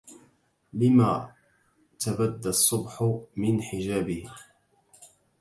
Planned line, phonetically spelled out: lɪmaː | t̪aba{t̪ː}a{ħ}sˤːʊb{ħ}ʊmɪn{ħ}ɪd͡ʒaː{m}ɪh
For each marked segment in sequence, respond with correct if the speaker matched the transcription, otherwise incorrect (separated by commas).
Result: incorrect, incorrect, correct, correct, incorrect